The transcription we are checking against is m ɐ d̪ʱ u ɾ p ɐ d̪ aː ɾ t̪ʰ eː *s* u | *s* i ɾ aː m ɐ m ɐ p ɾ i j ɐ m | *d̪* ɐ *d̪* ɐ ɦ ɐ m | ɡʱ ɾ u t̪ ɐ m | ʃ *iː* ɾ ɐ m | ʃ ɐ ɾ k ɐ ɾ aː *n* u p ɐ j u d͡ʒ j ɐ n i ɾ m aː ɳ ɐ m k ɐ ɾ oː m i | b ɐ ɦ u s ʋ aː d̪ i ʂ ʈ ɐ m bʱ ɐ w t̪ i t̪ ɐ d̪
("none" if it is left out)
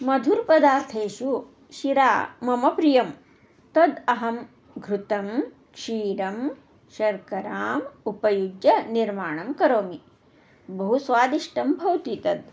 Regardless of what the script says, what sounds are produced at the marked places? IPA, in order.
ʃ, ʃ, t̪, d̪, iː, m

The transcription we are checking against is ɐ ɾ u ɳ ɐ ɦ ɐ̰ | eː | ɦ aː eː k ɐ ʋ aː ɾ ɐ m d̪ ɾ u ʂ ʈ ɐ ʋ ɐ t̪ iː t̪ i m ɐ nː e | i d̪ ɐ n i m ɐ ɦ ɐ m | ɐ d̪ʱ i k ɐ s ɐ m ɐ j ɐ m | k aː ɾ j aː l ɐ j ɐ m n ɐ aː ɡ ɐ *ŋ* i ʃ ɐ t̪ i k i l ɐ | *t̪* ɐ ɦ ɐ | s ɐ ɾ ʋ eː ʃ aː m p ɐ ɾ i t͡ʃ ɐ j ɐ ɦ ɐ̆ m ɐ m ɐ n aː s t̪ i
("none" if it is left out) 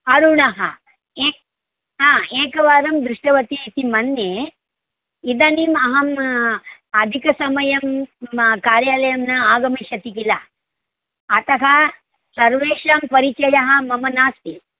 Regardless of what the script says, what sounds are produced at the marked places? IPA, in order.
m, t̪

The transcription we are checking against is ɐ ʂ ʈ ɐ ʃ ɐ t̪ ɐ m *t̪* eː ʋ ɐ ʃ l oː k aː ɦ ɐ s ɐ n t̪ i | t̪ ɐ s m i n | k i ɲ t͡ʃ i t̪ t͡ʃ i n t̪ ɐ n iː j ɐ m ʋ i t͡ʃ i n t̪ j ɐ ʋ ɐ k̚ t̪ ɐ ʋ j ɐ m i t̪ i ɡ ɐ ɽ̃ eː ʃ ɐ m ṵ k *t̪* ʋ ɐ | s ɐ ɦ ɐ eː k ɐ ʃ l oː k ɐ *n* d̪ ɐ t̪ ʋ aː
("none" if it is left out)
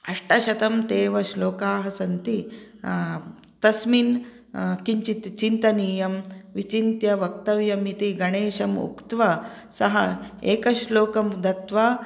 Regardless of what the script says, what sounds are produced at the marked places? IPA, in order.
t̪, t̪, m

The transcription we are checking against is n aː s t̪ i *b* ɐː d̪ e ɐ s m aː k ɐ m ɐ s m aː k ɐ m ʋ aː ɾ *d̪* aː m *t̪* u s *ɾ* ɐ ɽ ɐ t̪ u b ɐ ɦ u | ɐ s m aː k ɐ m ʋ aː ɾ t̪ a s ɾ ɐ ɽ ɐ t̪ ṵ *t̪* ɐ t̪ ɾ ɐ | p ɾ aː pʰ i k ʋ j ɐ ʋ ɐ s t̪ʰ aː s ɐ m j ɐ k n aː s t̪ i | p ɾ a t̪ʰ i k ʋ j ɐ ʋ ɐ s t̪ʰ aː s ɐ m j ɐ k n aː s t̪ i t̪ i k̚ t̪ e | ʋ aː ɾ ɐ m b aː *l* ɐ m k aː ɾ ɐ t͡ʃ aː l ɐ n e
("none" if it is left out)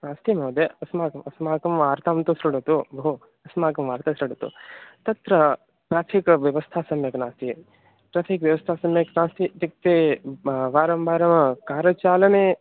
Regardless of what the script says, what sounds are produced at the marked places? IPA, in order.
m, t̪, t̪, ɾ, t̪, ɾ

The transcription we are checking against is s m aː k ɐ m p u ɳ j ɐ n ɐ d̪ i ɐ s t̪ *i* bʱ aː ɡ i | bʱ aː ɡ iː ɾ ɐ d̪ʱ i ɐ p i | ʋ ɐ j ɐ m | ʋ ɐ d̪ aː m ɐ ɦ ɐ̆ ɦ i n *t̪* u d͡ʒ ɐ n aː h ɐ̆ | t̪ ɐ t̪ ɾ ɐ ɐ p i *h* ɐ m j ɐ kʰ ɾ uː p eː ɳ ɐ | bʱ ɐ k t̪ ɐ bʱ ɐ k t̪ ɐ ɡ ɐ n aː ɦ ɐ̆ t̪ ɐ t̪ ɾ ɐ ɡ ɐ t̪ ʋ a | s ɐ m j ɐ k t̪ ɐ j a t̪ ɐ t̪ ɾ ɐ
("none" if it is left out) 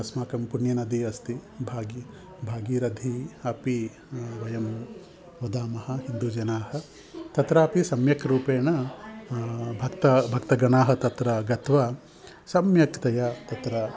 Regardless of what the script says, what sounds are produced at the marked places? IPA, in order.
i, d̪, s

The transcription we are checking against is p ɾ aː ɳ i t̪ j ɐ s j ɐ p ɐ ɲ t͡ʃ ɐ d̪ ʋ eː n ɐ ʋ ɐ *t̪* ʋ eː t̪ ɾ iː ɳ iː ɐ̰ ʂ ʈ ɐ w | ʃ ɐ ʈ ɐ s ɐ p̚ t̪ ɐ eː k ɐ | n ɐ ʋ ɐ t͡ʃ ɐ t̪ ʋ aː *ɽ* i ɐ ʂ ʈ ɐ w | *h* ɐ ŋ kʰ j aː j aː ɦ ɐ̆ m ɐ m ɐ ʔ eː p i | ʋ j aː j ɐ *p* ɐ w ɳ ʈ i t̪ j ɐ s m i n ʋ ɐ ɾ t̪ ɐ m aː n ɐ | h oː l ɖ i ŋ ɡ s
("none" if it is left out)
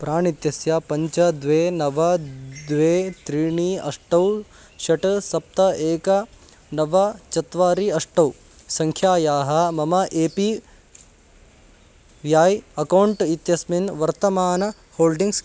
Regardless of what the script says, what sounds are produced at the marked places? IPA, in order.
d̪, ɾ, s, k

